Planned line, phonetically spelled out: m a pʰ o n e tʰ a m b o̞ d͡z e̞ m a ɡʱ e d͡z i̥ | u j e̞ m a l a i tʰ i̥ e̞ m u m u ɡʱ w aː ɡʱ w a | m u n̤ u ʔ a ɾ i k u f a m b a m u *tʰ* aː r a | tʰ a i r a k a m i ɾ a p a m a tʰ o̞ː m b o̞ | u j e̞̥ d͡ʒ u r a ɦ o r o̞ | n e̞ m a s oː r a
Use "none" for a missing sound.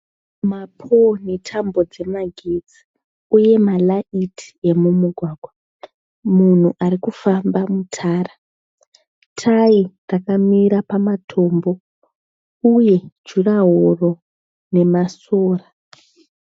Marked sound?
tʰ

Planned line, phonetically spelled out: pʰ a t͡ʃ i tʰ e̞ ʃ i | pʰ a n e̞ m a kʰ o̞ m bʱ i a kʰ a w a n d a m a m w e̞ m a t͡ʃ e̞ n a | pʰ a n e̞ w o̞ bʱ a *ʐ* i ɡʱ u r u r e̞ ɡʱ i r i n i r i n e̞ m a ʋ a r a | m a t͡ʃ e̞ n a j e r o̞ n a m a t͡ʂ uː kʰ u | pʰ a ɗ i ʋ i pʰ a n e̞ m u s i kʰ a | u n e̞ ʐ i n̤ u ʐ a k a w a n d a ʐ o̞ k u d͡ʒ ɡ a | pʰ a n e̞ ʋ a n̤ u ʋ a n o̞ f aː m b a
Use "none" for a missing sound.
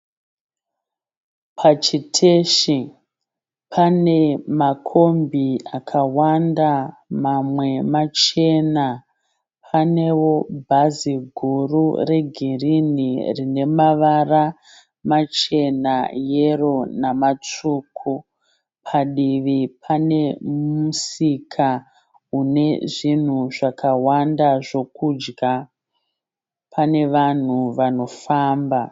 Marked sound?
z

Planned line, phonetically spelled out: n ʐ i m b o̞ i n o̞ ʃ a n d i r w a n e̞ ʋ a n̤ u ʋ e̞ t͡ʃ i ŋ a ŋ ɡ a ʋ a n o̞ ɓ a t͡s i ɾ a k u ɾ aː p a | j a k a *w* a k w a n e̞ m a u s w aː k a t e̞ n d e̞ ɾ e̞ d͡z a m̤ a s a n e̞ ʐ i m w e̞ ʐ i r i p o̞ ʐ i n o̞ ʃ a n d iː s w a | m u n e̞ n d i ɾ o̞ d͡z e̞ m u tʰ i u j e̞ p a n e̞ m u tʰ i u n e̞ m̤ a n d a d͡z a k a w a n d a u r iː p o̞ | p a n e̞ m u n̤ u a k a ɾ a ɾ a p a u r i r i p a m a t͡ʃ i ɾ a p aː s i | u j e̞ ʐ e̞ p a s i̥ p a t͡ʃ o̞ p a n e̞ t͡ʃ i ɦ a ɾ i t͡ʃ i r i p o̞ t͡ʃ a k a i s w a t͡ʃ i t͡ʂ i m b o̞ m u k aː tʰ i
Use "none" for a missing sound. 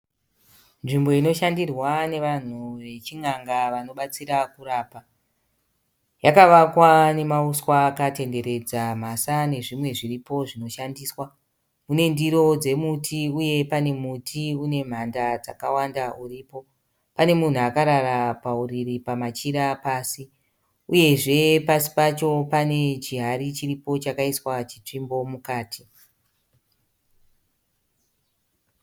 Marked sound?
ʋ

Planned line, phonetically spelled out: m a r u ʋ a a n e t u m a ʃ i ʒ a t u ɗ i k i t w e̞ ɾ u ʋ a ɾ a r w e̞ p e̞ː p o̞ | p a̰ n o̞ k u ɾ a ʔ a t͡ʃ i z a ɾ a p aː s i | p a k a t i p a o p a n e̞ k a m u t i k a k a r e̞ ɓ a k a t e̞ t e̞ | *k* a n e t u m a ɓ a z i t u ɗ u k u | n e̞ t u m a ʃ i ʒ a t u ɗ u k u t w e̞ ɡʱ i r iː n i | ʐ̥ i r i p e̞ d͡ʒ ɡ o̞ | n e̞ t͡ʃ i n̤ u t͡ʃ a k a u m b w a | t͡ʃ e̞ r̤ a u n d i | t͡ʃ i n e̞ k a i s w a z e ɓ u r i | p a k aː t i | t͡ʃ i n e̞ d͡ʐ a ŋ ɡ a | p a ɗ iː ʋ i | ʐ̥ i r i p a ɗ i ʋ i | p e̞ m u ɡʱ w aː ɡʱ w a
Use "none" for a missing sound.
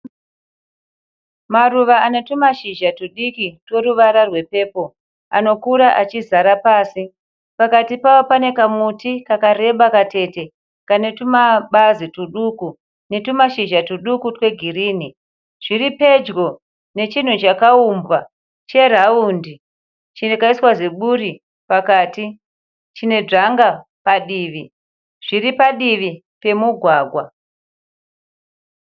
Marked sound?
k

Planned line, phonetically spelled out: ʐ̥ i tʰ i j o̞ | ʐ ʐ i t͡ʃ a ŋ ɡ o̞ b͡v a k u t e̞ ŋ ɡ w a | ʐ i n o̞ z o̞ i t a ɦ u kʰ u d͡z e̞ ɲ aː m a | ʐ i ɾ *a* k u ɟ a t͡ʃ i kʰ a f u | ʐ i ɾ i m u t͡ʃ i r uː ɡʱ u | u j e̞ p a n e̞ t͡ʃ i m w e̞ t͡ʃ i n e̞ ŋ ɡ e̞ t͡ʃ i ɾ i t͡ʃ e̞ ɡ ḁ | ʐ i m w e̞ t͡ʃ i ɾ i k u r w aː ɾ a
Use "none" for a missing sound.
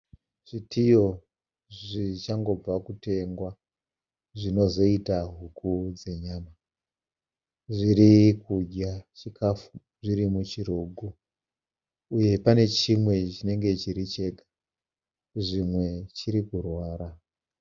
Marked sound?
i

